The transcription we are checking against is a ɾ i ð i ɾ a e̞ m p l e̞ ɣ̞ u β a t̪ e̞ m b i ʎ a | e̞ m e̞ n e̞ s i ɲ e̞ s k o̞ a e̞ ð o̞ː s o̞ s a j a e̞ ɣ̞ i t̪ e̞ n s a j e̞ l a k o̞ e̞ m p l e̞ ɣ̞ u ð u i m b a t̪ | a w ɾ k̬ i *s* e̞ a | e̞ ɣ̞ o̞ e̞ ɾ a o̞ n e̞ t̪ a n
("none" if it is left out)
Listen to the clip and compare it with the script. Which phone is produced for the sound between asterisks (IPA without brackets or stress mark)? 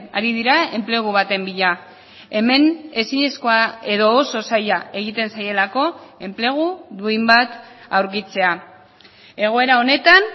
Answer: t͡s